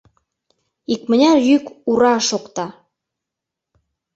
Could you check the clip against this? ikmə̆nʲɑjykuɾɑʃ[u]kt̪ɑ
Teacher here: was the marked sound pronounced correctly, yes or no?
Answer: no